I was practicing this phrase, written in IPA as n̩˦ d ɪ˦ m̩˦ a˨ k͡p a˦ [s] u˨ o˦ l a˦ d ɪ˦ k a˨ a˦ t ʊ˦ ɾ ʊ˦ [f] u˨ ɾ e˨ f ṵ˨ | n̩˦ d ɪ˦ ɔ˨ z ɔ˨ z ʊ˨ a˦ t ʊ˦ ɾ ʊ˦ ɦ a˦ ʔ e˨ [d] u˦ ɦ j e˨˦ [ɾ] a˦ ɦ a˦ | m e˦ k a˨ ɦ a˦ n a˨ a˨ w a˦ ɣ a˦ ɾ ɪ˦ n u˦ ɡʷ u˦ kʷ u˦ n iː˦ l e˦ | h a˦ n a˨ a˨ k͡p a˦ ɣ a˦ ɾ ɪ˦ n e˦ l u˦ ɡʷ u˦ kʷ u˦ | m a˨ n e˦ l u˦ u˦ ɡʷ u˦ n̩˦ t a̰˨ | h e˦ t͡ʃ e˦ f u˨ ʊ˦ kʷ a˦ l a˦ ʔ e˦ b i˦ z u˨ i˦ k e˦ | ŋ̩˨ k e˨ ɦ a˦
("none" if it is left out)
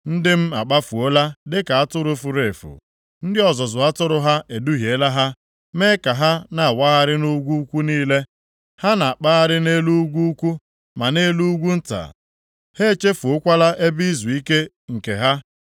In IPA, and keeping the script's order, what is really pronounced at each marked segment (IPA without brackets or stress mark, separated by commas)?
f, f, d, l